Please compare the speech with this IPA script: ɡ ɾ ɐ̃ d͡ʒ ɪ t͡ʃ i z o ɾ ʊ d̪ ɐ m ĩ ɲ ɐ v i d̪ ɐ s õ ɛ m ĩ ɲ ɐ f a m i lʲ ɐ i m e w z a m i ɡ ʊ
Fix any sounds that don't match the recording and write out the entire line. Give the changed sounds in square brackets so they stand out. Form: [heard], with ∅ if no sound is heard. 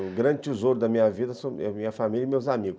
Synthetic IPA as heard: ɡ ɾ ɐ̃ d͡ʒ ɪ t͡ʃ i z o ɾ ʊ d̪ ɐ m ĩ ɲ ɐ v i d̪ ɐ s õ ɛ m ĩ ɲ ɐ f a m i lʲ ɐ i m e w z a m i ɡ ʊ